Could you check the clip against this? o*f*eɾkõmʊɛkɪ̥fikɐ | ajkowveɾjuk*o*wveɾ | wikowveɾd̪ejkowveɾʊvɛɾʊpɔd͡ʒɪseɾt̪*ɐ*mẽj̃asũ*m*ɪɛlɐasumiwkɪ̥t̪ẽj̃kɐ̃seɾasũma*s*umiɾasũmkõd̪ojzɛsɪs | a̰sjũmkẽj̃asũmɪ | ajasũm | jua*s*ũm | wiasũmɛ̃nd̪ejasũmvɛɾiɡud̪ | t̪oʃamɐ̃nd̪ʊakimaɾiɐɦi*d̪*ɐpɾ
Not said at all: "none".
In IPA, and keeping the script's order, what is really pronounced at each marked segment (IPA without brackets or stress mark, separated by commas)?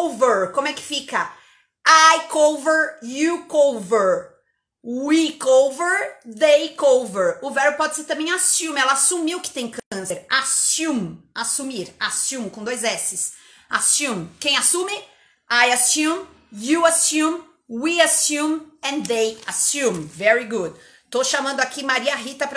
v, o, ɐ̃, m, s, s, t̪